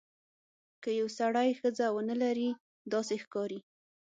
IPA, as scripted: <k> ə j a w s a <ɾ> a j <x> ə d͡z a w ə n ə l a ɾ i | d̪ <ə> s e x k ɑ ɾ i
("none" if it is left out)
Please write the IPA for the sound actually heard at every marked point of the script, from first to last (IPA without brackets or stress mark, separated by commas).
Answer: k, ɽ, x, ɑ